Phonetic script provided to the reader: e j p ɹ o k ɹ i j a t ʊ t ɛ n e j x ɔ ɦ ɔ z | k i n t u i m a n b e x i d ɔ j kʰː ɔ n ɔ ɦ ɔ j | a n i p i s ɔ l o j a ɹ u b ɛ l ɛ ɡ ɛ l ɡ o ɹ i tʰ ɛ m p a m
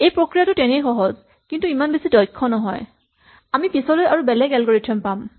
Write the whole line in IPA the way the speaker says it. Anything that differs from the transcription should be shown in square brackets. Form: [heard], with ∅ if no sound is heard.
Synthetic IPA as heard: e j p ɹ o k ɹ i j a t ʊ t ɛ n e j x ɔ ɦ ɔ z | k i n t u i m a n b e [s] i d ɔ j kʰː ɔ n ɔ ɦ ɔ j | a [m] i p i s ɔ l o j a ɹ u b ɛ l ɛ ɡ ɛ l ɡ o ɹ i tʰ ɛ m p a m